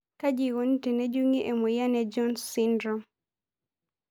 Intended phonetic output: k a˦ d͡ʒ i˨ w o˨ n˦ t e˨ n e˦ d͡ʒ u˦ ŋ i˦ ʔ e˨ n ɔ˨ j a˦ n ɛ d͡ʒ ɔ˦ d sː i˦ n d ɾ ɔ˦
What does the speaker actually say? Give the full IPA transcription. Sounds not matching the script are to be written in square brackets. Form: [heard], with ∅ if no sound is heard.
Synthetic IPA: k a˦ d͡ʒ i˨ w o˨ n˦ t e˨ n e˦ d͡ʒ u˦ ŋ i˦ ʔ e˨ [m] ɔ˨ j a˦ n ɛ d͡ʒ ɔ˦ [n] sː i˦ n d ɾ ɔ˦